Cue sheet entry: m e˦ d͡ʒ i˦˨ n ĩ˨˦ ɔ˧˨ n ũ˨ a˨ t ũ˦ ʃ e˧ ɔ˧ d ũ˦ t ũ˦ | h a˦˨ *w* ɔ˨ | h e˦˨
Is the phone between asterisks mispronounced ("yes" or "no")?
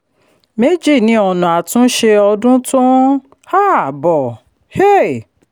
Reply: yes